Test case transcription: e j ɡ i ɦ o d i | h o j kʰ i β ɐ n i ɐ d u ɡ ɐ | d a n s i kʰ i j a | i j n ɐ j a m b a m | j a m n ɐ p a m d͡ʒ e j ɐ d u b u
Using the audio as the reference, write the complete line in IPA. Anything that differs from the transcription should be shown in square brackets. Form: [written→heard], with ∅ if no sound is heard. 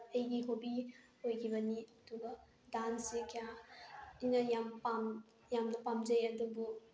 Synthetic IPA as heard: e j ɡ i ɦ o [d→b] i | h o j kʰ i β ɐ n i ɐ d u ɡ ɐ | d a n s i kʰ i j a | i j n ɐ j a m [b→p] a m | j a m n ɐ p a m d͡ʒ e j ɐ d u b u